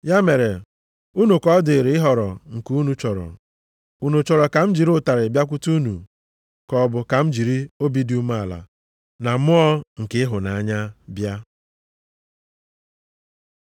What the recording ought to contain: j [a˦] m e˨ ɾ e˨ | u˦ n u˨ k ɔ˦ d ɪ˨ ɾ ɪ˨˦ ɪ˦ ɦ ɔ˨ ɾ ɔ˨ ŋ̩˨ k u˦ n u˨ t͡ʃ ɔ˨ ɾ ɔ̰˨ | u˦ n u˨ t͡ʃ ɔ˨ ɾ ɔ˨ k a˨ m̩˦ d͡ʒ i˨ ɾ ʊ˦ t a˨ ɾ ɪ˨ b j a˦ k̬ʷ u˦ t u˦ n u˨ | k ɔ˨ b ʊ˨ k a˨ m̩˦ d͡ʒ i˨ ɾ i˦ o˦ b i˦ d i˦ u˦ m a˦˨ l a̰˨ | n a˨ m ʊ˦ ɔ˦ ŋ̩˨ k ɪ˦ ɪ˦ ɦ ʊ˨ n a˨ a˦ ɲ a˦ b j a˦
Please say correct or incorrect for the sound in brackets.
correct